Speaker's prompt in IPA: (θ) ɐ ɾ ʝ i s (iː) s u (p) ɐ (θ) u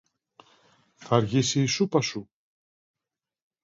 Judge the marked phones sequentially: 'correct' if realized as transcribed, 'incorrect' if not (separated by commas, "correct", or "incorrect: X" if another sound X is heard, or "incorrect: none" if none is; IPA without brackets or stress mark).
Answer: correct, correct, correct, incorrect: s